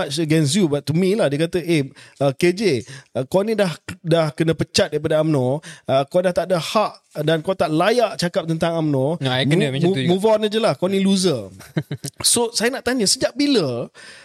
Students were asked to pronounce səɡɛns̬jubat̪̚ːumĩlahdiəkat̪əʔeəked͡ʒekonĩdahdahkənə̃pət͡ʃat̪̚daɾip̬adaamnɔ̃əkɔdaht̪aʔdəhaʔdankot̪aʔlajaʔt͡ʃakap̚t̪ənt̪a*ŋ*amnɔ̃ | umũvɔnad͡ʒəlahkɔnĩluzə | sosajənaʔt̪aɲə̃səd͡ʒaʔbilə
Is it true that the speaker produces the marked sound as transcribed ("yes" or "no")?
yes